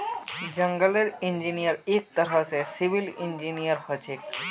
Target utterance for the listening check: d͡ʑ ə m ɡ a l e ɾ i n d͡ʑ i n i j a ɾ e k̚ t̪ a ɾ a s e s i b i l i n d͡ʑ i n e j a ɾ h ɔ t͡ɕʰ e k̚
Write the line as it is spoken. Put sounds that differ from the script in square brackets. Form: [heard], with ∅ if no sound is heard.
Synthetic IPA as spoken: d͡ʑ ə [ŋ] ɡ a l e ɾ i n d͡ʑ i n i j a ɾ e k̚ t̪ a ɾ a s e s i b i l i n d͡ʑ i n [i] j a ɾ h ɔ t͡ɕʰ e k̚

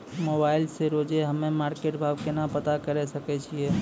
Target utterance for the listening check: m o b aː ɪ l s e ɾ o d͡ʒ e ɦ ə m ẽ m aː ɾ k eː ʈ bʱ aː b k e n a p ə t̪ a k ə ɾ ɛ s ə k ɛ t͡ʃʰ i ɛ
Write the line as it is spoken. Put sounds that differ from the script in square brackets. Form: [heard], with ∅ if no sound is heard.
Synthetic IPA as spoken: m o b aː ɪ l s e ɾ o d͡ʒ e ɦ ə m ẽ m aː ɾ k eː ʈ bʱ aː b k e n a p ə t̪ a k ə ɾ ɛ s ə k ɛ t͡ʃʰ i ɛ

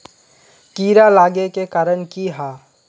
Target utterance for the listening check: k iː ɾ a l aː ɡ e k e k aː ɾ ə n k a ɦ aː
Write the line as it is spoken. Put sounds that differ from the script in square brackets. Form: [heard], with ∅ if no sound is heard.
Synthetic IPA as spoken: k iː ɾ a l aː ɡ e k e k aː ɾ ə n k [i] ɦ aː

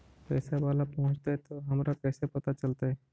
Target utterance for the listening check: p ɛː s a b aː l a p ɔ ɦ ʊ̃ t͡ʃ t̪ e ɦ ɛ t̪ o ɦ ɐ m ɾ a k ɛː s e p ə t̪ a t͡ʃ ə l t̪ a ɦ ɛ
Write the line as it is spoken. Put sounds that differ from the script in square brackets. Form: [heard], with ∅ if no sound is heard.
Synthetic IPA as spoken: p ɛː s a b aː l a p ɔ ɦ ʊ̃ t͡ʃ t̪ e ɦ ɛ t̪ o ɦ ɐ m ɾ a k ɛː s e p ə t̪ a t͡ʃ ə l t̪ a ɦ ɛ

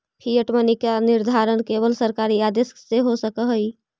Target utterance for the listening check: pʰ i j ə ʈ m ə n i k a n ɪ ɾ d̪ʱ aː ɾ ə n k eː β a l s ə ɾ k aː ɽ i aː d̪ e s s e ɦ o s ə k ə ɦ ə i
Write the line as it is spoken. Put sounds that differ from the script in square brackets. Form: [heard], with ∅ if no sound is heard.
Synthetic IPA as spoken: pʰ i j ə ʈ m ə n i k a n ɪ ɾ d̪ʱ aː ɾ ə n k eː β [ə] l s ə ɾ k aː [ɾ] i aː d̪ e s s e ɦ o s ə k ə ɦ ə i

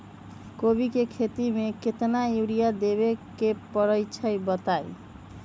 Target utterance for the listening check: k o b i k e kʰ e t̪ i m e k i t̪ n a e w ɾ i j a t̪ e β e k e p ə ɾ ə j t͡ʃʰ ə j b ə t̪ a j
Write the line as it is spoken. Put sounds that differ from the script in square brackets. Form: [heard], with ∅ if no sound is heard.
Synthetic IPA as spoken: k o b i k e kʰ e t̪ i m e k [e] t̪ n a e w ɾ i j a [d̪] e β e k e p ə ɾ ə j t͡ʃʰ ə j b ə t̪ a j

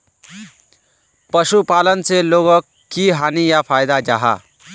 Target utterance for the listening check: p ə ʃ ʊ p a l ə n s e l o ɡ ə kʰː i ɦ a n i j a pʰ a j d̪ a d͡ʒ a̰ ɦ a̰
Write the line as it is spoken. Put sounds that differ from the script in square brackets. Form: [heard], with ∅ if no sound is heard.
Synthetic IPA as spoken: p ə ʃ [u] p a l ə n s e l o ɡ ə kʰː i ɦ a n i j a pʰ a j d̪ a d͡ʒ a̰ ɦ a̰

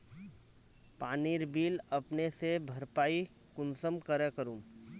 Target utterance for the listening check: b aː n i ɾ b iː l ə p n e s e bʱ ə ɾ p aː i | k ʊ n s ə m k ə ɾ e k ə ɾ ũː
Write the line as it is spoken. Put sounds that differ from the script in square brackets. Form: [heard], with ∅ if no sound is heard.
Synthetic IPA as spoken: [p] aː n i ɾ b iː l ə p n e s e bʱ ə ɾ p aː i | k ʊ n s ə m k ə ɾ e k ə ɾ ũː

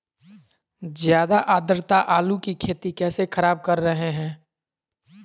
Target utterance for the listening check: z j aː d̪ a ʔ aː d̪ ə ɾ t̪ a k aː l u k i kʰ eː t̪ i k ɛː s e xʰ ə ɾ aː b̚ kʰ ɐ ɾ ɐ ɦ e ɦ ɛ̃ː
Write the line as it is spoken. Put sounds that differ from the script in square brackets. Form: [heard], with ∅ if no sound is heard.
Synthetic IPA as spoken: z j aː d̪ a ʔ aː d̪ ə ɾ t̪ a [ʔ] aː l u k i kʰ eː t̪ i k ɛː s e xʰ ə ɾ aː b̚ [k] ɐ [ɾː] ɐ ɦ e ɦ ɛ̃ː

